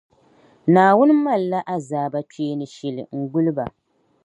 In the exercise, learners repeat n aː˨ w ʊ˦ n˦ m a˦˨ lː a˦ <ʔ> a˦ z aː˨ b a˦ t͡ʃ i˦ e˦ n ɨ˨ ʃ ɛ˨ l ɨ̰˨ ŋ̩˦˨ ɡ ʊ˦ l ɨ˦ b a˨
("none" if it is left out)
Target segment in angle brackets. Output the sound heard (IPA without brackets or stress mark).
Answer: ʔ